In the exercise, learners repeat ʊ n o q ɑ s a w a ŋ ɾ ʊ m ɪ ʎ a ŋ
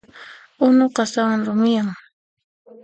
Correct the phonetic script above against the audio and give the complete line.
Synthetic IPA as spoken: ʊ n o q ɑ s a w a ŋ ɾ ʊ m ɪ j a ŋ